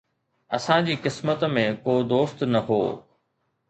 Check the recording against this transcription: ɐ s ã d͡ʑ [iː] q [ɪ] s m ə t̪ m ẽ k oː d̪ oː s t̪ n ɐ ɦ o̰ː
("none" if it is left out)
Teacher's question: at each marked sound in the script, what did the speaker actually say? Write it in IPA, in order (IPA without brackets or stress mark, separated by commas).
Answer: iː, ɪ